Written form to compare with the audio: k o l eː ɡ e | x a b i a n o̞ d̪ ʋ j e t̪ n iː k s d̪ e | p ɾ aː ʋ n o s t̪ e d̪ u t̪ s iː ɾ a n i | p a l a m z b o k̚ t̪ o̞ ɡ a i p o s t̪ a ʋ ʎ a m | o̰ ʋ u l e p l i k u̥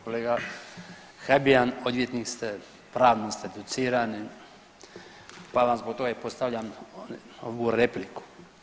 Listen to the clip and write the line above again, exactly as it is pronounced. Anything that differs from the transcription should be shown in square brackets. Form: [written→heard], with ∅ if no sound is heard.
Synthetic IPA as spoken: k o l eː ɡ [e→a] | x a b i a n o̞ d̪ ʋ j e t̪ n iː k s [d̪→t̪] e | p ɾ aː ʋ n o s t̪ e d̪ u t̪ s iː ɾ a n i | p a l a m z b o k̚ t̪ o̞ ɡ a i p o s t̪ a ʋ ʎ a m | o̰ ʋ u [l→ɾ] e p l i k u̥